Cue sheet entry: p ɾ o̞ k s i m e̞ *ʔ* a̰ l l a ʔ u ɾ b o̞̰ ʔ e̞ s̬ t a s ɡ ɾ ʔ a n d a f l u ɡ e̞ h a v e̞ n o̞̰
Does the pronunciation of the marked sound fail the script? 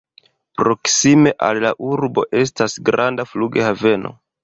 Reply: no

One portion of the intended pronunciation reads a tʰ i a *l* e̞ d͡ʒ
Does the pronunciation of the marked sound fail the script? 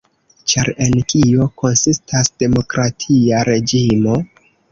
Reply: yes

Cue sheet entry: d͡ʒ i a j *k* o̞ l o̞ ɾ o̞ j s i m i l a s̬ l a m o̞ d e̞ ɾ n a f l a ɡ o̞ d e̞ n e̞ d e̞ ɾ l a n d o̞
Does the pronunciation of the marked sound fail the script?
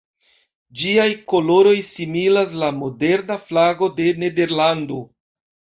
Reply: no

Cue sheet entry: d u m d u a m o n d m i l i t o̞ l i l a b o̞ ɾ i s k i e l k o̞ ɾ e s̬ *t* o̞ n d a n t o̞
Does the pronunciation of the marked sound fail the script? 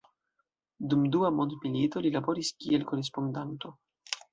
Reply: yes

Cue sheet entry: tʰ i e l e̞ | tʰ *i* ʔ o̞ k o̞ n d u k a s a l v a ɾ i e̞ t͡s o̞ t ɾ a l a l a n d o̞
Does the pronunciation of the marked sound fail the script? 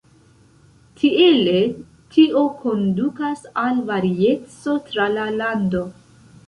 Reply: no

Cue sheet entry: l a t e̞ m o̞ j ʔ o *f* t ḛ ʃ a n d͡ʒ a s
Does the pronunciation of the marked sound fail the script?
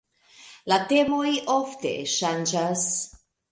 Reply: no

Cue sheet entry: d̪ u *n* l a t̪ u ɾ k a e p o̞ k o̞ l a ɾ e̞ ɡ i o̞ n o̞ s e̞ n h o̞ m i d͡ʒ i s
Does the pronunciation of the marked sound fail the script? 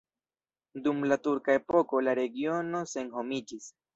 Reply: yes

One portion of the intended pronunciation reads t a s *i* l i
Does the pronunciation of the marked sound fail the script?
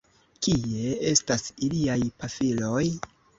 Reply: no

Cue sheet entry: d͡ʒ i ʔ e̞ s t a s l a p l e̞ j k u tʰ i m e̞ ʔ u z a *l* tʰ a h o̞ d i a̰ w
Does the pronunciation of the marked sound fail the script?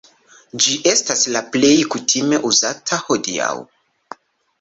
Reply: yes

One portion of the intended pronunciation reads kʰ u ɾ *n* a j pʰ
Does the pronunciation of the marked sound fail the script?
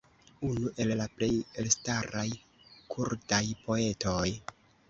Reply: yes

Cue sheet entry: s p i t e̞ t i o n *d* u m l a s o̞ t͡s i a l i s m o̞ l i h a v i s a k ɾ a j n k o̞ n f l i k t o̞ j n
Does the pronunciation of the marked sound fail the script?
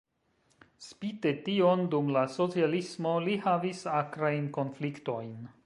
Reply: no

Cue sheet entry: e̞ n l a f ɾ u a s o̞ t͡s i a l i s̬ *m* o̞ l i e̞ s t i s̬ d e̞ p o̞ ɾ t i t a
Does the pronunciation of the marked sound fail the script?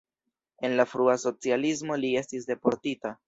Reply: no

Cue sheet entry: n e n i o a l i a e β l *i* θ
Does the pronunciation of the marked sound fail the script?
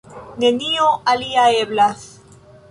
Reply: yes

